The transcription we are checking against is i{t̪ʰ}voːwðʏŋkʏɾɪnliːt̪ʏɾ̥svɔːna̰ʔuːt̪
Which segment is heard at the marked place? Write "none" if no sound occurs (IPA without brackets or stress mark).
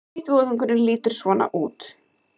t̪